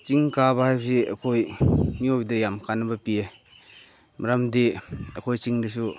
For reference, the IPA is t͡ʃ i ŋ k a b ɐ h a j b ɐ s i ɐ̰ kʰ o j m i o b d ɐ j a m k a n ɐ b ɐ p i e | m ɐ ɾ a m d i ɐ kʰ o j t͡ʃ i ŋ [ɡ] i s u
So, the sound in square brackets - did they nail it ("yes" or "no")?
no